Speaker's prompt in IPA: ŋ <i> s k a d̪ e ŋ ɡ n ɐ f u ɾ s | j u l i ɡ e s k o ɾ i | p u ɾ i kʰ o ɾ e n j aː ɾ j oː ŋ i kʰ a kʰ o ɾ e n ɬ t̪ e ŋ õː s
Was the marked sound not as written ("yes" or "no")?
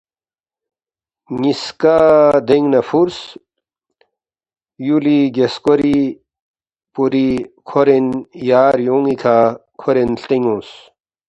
no